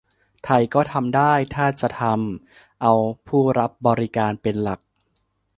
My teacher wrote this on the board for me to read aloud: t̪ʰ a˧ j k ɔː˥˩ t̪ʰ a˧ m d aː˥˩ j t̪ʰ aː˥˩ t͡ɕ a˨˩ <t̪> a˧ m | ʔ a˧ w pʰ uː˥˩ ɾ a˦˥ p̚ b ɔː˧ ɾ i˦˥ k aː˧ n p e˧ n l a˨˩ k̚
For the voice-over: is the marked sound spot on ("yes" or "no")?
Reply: no